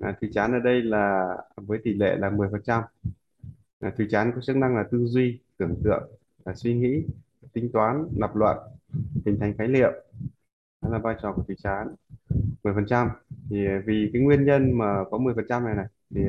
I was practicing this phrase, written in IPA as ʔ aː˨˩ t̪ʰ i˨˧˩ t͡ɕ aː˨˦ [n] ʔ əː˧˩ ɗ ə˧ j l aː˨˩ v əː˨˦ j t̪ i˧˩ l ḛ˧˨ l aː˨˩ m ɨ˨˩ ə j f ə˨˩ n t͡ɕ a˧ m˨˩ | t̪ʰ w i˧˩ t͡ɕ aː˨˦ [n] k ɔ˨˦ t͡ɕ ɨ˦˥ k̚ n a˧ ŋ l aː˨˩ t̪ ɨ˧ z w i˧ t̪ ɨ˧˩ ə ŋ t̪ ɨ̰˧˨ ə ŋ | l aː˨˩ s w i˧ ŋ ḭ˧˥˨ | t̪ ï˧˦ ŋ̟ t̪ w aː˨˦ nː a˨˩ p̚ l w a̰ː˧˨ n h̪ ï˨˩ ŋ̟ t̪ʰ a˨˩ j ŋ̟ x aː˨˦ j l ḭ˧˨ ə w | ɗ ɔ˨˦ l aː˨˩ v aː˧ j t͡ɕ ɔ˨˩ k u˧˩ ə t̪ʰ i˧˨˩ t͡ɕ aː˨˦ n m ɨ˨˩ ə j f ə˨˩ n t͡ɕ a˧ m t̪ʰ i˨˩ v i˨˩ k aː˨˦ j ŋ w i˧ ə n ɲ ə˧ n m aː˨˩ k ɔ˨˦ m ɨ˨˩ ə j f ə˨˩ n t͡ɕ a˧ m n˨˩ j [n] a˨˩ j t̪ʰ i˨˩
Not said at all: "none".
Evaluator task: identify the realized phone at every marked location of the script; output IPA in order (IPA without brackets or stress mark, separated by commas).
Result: n, n, n